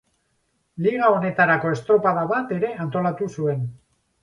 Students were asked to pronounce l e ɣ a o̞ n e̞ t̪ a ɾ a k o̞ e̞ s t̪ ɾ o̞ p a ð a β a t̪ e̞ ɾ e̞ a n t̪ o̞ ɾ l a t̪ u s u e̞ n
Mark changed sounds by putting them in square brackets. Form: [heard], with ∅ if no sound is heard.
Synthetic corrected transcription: l [i] ɣ a o̞ n e̞ t̪ a ɾ a k o̞ e̞ s t̪ ɾ o̞ p a ð a β a t̪ e̞ ɾ e̞ a n t̪ o̞ [∅] l a t̪ u s u e̞ n